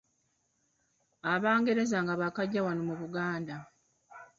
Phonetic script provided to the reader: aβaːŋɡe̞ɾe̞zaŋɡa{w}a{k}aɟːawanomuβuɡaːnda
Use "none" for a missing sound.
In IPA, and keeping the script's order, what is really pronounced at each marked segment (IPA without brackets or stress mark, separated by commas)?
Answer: β, k